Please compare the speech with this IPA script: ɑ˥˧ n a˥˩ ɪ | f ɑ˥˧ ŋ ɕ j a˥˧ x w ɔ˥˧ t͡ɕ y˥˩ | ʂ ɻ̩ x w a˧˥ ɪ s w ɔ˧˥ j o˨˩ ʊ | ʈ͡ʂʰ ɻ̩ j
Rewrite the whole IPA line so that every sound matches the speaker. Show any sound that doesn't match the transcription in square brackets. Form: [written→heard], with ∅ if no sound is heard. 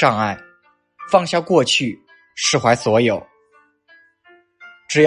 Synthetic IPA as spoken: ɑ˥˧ [n→ŋ] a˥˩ ɪ | f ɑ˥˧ ŋ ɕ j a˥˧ [x→k] w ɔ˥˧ [t͡ɕ→t͡ɕʰ] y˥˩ | ʂ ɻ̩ x w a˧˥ ɪ s w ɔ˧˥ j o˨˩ ʊ | [ʈ͡ʂʰ→ʈ͡ʂ] ɻ̩ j